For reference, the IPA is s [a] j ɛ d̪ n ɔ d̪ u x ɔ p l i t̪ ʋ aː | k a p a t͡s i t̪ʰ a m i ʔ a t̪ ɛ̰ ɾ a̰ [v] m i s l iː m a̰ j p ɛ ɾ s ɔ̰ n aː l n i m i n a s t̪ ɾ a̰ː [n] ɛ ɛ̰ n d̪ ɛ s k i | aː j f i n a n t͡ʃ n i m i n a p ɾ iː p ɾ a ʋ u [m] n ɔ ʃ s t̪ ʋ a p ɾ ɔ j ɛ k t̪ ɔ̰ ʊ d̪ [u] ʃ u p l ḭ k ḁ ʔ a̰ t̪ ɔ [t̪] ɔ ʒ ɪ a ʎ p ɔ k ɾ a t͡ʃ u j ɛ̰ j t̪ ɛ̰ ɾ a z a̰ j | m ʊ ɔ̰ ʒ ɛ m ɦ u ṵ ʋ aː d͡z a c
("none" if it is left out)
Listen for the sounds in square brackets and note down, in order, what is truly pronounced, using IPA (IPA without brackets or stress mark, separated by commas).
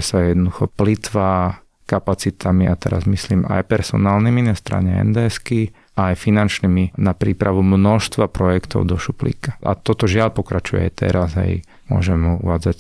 a, z, ɲ, m, ɔ, t̪